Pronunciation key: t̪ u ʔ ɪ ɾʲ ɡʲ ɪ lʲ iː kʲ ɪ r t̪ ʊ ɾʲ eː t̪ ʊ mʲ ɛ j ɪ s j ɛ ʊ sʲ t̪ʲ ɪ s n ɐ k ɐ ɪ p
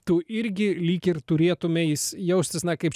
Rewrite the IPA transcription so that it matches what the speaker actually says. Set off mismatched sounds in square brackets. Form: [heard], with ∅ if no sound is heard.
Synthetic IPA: t̪ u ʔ ɪ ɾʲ ɡʲ ɪ lʲ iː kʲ ɪ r t̪ ʊ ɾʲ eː t̪ ʊ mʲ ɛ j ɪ s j ɛ ʊ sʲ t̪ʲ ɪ s n ɐ k ɐ ɪ p